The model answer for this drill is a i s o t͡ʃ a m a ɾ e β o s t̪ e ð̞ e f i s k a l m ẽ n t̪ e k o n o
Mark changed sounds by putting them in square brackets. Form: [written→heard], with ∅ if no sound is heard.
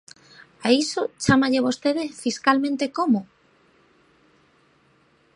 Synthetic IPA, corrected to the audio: a i s o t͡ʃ a m a [ɾ→ʎ] e β o s t̪ e ð̞ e f i s k a l m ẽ n t̪ e k o [n→m] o